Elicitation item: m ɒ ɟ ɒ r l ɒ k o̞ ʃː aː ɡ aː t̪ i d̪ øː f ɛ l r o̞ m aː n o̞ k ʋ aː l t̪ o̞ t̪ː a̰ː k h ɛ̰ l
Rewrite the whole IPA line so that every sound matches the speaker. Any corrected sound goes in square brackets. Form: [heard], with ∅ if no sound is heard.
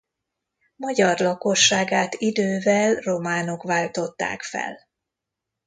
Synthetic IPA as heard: m ɒ ɟ ɒ r l ɒ k o̞ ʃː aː ɡ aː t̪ i d̪ øː [v] ɛ l r o̞ m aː n o̞ k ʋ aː l t̪ o̞ t̪ː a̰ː k [f] ɛ̰ l